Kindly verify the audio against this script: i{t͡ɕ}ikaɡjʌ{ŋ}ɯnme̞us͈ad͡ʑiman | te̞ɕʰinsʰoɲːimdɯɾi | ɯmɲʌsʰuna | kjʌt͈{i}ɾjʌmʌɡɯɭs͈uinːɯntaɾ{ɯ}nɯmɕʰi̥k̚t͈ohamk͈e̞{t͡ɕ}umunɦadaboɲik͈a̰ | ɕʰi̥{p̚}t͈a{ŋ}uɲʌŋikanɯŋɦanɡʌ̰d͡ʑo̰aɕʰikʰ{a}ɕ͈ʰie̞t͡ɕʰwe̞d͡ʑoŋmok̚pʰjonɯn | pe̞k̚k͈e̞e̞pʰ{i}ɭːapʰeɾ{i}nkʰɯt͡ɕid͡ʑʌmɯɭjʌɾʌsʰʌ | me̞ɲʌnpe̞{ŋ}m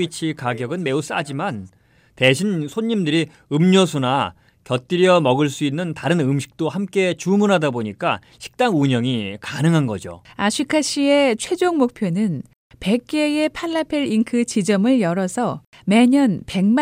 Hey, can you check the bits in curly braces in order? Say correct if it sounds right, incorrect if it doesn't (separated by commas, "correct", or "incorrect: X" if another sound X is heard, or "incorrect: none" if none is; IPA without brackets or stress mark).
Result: incorrect: t͡ɕʰ, incorrect: ɡ, correct, correct, correct, incorrect: k̚, correct, correct, incorrect: a, correct, correct